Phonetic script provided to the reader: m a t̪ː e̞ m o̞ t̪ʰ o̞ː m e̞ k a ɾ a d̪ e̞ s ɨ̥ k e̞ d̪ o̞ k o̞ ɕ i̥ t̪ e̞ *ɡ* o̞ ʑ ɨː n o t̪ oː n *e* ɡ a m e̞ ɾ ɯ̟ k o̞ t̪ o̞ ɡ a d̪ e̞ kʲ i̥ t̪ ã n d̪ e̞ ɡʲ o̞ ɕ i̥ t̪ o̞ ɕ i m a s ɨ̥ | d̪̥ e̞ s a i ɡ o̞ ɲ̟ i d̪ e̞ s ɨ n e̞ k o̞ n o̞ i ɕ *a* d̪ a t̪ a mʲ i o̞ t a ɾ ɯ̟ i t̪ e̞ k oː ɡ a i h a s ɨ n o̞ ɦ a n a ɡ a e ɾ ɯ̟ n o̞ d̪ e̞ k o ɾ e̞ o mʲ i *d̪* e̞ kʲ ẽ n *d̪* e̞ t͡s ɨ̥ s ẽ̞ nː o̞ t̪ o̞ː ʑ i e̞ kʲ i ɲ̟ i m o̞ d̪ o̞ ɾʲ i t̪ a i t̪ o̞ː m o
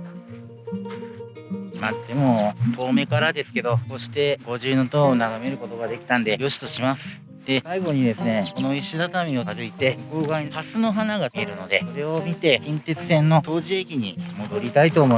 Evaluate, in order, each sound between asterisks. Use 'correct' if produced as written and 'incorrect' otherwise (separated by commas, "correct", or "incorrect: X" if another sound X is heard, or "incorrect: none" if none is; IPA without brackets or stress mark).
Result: correct, incorrect: a, incorrect: i, incorrect: t̪, incorrect: t̪